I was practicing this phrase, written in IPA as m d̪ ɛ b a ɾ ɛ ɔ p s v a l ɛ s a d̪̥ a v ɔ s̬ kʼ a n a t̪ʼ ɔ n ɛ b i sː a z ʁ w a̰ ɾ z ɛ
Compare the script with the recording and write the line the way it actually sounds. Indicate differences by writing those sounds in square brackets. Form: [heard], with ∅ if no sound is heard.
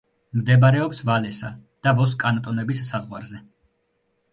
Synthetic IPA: m d̪ ɛ b a ɾ ɛ ɔ p s v a l ɛ s a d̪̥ a v ɔ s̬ kʼ a n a t̪ʼ ɔ n ɛ b i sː a z ʁ w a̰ ɾ z ɛ